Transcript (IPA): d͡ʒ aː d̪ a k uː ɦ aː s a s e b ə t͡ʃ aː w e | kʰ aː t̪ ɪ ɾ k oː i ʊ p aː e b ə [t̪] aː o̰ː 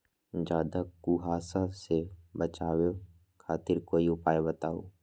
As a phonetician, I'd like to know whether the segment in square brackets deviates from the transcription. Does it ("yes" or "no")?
no